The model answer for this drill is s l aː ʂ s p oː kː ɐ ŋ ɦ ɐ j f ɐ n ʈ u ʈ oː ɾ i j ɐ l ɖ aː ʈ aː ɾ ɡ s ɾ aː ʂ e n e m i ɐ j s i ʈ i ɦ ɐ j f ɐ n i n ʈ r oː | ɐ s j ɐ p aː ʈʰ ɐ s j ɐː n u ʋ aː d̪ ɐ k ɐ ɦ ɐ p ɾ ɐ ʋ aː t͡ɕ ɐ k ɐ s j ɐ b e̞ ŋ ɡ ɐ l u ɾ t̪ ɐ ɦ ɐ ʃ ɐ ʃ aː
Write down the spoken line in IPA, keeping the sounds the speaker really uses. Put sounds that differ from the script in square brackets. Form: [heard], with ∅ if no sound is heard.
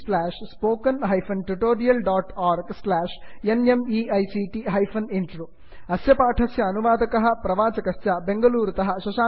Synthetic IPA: s l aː ʂ s p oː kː ɐ [n] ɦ ɐ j f ɐ n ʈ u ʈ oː ɾ i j ɐ l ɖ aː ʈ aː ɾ ɡ s [l] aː ʂ e n e m i ɐ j s i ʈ i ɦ ɐ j f ɐ n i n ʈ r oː | ɐ s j ɐ p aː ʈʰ ɐ s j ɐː n u ʋ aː d̪ ɐ k ɐ ɦ ɐ p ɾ ɐ ʋ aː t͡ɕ ɐ k ɐ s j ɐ b e̞ ŋ ɡ ɐ l [uː] ɾ t̪ ɐ ɦ ɐ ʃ ɐ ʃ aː